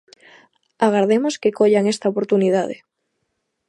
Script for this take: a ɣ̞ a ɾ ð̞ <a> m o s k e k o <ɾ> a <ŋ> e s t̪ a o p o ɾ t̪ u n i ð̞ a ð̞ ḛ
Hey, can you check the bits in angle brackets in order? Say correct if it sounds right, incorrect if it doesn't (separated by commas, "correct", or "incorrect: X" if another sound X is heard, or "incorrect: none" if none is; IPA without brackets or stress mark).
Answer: incorrect: e, incorrect: ʎ, correct